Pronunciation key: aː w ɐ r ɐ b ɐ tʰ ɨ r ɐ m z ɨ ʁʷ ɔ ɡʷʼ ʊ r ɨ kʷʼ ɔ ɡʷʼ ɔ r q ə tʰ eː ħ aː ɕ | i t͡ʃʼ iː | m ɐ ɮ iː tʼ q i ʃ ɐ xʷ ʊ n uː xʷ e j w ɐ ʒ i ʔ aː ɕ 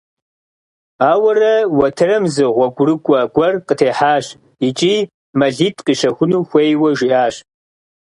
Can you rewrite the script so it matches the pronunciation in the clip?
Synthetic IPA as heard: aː w ɐ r ɐ w ɐ tʰ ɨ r ɐ m z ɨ ʁʷ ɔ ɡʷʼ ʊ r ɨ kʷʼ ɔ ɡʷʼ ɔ r q ə tʰ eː ħ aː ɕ | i t͡ʃʼ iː | m ɐ ɮ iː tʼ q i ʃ ɐ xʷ ʊ n uː xʷ e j w ɐ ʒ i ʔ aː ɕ